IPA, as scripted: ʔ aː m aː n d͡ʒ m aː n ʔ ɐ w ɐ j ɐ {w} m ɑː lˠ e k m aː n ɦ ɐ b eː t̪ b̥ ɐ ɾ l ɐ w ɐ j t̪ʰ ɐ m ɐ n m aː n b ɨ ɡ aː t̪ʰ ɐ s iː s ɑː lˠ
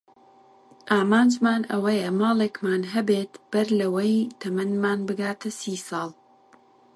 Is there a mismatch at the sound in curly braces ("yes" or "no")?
yes